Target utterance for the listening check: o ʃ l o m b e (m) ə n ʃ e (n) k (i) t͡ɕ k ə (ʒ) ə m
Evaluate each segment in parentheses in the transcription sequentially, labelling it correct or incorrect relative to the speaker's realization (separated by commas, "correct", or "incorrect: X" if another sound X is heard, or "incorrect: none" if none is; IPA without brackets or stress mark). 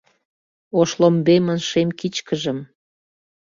correct, incorrect: m, correct, correct